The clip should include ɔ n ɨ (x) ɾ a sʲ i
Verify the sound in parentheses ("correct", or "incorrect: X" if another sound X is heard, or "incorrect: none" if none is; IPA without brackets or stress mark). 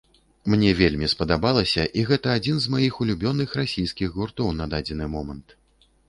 correct